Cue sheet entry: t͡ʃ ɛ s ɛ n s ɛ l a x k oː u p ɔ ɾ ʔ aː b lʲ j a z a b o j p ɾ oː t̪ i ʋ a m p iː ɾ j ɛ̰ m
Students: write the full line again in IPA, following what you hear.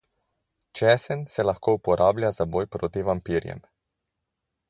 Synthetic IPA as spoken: t͡ʃ ɛ s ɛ n s ɛ l a x k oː u p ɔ ɾ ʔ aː b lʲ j a z a b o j p ɾ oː t̪ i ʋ a m p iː ɾ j ɛ̰ m